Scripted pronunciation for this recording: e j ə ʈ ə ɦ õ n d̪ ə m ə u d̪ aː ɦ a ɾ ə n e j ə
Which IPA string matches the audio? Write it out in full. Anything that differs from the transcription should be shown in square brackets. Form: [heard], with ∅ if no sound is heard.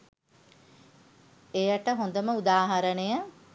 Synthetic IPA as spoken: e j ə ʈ ə ɦ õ n d̪ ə m ə u d̪ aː ɦ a ɾ ə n e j ə